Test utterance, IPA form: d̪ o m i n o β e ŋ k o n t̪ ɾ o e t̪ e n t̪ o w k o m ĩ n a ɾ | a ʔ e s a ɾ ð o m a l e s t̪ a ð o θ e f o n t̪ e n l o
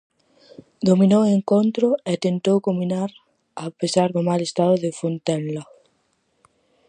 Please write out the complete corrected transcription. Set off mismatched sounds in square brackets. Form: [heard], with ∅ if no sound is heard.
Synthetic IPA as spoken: d̪ o m i n o [w] e ŋ k o n t̪ ɾ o e t̪ e n t̪ o w k o m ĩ n a ɾ | a [p] e s a ɾ ð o m a l e s t̪ a ð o [ð] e f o n t̪ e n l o